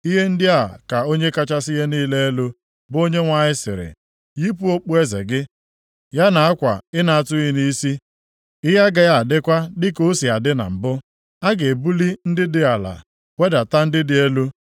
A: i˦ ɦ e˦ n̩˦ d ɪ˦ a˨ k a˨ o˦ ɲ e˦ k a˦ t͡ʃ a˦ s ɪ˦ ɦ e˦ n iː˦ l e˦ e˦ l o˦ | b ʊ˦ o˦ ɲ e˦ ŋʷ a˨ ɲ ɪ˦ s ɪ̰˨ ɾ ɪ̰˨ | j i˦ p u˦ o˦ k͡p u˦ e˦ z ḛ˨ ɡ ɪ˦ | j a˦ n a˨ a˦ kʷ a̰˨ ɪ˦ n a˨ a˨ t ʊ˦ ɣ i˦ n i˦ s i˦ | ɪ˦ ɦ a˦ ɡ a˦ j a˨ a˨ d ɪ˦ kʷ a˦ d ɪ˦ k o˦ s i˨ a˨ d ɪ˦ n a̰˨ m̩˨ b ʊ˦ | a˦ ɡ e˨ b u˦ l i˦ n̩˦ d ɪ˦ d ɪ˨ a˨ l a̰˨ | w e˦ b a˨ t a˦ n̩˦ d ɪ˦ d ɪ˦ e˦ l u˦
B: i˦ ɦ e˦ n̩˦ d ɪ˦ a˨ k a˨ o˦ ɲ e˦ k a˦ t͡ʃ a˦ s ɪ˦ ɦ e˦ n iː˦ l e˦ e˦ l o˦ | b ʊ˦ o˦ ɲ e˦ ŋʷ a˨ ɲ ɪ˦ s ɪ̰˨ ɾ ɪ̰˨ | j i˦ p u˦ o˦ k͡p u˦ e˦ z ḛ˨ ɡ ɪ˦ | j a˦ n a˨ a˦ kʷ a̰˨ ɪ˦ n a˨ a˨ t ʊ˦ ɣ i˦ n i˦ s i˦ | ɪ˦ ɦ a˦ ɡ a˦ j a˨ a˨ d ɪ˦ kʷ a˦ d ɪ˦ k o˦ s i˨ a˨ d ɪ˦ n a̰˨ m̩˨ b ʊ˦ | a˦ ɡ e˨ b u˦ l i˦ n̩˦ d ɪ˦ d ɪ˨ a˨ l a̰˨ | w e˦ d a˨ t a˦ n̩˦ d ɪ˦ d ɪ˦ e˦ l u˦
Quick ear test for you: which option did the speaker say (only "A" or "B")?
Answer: B